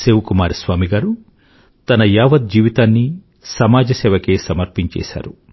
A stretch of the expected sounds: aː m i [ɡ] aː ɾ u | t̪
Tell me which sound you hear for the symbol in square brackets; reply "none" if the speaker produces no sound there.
ɡ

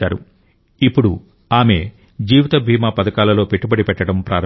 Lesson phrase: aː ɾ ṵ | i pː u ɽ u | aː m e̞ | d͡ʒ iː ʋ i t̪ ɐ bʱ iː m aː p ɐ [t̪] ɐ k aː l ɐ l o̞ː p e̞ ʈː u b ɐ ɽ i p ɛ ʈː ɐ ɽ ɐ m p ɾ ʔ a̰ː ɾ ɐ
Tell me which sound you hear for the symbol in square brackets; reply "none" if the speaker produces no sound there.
d̪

